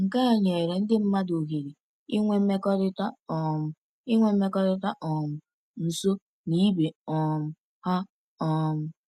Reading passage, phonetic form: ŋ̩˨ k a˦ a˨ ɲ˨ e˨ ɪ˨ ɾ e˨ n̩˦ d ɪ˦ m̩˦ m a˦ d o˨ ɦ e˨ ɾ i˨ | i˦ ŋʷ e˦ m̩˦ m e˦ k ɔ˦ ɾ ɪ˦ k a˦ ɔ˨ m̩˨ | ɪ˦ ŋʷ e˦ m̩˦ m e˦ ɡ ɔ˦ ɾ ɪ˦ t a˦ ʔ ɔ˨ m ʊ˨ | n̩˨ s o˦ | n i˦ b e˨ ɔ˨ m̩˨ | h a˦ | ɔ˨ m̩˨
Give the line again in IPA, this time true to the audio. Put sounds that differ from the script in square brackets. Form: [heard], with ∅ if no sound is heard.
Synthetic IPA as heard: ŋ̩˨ k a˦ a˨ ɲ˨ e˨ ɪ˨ ɾ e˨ n̩˦ d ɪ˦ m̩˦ m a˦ d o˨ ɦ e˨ ɾ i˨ | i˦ ŋʷ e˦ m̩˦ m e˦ k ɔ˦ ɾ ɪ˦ [t] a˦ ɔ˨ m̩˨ | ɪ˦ ŋʷ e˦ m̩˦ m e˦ [k] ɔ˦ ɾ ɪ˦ t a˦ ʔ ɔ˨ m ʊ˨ | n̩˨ s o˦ | n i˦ b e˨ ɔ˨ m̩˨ | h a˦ | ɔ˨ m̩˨